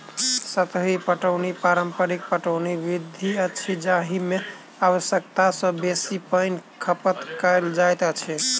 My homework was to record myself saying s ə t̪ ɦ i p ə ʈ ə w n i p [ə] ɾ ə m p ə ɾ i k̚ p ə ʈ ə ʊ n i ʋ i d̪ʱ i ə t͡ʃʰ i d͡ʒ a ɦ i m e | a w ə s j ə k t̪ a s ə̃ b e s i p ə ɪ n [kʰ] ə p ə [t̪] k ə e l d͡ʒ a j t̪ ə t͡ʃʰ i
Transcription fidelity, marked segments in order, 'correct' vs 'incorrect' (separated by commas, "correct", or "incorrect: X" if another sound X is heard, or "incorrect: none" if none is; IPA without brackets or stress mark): incorrect: a, correct, correct